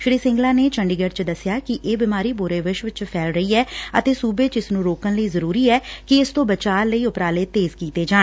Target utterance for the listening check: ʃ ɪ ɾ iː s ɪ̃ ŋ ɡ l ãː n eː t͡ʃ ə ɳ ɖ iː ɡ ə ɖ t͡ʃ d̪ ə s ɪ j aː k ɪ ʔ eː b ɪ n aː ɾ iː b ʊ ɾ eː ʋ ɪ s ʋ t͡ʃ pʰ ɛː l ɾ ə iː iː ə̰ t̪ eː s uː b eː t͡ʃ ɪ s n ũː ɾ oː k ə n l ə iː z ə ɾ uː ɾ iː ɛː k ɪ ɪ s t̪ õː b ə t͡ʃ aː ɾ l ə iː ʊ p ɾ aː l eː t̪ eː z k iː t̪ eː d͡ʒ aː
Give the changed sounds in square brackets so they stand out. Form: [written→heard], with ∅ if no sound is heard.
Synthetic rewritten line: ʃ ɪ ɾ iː s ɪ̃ ŋ ɡ l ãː n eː t͡ʃ ə ɳ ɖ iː ɡ ə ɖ t͡ʃ d̪ ə s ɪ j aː k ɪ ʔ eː b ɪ [n→m] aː ɾ iː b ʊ ɾ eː ʋ ɪ [s→ʃ] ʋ t͡ʃ pʰ ɛː l ɾ ə iː [iː→ɛː] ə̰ t̪ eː s uː b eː t͡ʃ ɪ s n ũː ɾ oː k ə n l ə iː z ə ɾ uː ɾ iː ɛː k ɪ ɪ s t̪ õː b ə t͡ʃ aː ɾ l ə iː ʊ p ɾ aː l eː t̪ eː z k iː t̪ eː d͡ʒ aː

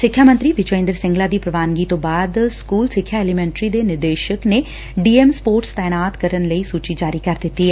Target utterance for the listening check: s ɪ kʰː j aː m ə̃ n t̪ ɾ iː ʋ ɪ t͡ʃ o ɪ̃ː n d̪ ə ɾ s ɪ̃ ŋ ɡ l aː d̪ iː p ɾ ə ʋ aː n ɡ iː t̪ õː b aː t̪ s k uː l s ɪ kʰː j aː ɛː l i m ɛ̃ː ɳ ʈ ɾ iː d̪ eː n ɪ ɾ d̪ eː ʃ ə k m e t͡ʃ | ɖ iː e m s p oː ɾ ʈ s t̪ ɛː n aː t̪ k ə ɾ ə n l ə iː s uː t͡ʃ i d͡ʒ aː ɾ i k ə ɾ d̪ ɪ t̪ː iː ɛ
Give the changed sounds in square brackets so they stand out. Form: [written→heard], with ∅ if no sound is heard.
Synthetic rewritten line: s ɪ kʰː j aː m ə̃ n t̪ ɾ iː ʋ ɪ t͡ʃ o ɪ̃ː n d̪ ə ɾ s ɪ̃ ŋ ɡ l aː d̪ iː p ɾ ə ʋ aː n ɡ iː t̪ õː b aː [t̪→d̪] s k uː l s ɪ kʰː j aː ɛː l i m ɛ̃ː ɳ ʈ ɾ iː d̪ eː n ɪ ɾ d̪ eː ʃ ə k [m→n] e [t͡ʃ→∅] | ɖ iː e m s p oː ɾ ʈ s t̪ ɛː n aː t̪ k ə ɾ ə n l ə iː s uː t͡ʃ i d͡ʒ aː ɾ i k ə ɾ d̪ ɪ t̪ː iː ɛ

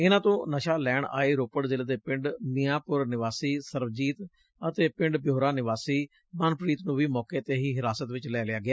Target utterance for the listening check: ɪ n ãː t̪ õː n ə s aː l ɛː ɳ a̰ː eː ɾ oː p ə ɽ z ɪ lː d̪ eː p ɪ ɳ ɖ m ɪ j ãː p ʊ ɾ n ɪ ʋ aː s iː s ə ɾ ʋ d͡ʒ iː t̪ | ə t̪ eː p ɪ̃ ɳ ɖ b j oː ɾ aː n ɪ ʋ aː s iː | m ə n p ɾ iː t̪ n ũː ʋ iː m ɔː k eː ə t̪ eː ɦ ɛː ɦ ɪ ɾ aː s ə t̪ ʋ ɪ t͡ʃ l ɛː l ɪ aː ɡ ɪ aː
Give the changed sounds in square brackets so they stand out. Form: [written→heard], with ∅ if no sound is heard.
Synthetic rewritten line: ɪ n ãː t̪ õː n ə [s→ʃ] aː l ɛː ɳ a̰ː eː ɾ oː p ə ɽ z ɪ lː d̪ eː p ɪ ɳ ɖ m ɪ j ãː p ʊ ɾ n ɪ ʋ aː s iː s ə ɾ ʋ d͡ʒ iː t̪ | ə t̪ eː p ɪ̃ ɳ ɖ b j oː ɾ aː n ɪ ʋ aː s iː | m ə n p ɾ iː t̪ n ũː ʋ iː m ɔː k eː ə t̪ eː ɦ [ɛː→iː] ɦ ɪ ɾ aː s ə t̪ ʋ ɪ t͡ʃ l ɛː l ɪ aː ɡ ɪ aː

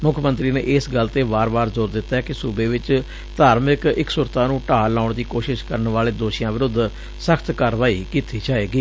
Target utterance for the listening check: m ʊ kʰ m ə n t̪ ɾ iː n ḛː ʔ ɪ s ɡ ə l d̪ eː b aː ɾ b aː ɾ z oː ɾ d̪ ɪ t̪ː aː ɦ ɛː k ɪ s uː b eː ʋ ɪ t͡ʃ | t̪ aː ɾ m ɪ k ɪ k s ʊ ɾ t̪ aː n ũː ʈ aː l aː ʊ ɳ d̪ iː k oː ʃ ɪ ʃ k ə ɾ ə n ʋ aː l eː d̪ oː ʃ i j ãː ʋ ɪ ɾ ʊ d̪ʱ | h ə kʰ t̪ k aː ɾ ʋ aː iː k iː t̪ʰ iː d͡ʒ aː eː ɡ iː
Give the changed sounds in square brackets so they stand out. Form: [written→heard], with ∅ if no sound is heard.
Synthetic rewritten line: m ʊ kʰ m ə n t̪ ɾ iː n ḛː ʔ ɪ s ɡ ə l [d̪→t̪] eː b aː ɾ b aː ɾ z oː ɾ d̪ ɪ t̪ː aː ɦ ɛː k ɪ s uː b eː ʋ ɪ t͡ʃ | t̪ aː ɾ m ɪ k ɪ k s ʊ ɾ t̪ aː n ũː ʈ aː l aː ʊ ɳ d̪ iː k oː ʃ ɪ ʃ k ə ɾ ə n ʋ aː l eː d̪ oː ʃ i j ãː ʋ ɪ ɾ ʊ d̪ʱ | [h→s] ə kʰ t̪ k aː ɾ ʋ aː iː k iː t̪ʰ iː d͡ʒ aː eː ɡ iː

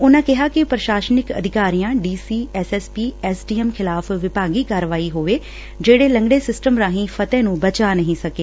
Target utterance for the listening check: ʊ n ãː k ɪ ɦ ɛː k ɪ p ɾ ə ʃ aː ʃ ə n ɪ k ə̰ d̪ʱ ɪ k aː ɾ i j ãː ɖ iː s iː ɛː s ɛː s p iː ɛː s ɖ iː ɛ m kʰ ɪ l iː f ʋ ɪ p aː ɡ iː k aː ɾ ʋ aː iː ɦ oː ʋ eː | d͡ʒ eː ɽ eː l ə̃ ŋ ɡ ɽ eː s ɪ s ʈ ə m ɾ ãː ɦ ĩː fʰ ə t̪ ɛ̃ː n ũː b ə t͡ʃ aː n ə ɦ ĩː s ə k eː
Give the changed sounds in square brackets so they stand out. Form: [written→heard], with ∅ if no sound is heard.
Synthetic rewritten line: ʊ n ãː k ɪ ɦ [ɛː→aː] k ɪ p ɾ ə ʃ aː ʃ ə n ɪ k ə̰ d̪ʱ ɪ k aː ɾ i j ãː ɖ iː s iː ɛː s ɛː s p iː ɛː s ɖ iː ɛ m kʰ ɪ l [iː→aː] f ʋ ɪ p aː ɡ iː k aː ɾ ʋ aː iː ɦ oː ʋ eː | d͡ʒ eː ɽ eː l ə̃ ŋ ɡ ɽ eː s ɪ s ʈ ə m ɾ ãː ɦ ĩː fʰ ə t̪ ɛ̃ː n ũː b ə t͡ʃ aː n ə ɦ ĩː s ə k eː

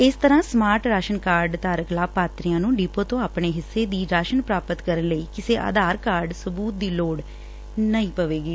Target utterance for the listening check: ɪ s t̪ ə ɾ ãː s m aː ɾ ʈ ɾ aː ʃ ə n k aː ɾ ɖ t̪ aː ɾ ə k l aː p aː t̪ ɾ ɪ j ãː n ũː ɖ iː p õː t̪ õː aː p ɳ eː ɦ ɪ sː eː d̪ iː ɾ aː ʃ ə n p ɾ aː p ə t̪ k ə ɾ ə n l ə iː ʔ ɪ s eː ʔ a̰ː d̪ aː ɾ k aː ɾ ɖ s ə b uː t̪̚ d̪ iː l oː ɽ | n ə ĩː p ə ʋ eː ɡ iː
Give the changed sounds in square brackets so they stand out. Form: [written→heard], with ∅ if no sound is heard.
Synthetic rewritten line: ɪ s t̪ ə ɾ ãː s m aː ɾ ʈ ɾ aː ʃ ə n k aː ɾ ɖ t̪ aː ɾ ə k l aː p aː t̪ ɾ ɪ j ãː n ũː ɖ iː p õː t̪ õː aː p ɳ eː ɦ ɪ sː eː d̪ iː ɾ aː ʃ ə n p ɾ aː p ə t̪ k ə ɾ ə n l ə iː [ʔ→k] ɪ s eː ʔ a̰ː d̪ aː ɾ k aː ɾ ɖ s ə b uː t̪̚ d̪ iː l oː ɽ | n ə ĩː p ə ʋ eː ɡ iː

